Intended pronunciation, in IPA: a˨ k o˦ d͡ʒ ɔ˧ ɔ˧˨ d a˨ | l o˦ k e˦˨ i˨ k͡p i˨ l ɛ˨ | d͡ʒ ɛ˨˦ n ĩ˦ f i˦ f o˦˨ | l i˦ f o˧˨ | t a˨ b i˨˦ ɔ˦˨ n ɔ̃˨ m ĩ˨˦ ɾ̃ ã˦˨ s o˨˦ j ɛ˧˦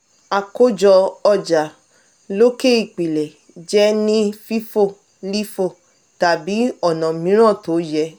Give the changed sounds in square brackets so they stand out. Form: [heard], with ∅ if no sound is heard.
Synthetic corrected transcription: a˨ k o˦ d͡ʒ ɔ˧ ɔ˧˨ [d͡ʒ] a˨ | l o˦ k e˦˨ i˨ k͡p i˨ l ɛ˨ | d͡ʒ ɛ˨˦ n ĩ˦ f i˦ f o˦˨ | l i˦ f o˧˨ | t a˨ b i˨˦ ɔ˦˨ n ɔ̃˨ m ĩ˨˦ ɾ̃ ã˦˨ [t] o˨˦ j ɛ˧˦